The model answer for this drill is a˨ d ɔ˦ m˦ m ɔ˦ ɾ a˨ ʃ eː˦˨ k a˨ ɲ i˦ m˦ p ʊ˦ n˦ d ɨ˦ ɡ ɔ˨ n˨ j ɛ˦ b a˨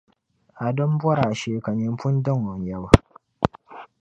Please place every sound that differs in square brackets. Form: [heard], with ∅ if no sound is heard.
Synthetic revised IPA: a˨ d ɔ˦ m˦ [b] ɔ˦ ɾ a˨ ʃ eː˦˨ k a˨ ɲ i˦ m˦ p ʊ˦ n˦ d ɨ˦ [ŋ] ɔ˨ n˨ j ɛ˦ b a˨